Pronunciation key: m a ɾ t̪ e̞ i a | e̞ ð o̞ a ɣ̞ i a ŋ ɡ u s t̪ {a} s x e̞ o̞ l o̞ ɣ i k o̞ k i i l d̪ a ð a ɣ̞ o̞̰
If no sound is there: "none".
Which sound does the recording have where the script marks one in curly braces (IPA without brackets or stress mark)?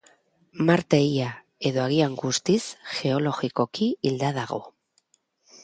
i